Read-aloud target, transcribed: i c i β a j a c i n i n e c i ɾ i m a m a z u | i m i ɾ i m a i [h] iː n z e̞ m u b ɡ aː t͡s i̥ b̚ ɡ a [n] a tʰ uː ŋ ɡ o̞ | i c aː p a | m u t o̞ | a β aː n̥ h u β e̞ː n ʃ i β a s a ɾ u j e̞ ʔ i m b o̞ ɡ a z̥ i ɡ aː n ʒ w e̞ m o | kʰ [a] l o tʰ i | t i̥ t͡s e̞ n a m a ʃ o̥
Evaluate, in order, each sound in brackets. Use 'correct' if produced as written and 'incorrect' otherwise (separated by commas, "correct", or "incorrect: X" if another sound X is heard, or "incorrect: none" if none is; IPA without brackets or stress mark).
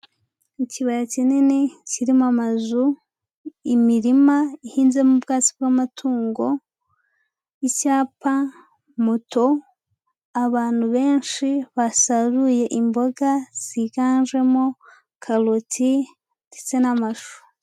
correct, incorrect: m, correct